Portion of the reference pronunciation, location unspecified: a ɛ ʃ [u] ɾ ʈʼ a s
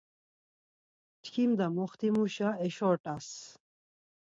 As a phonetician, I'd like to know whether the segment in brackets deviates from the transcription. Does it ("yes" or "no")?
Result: yes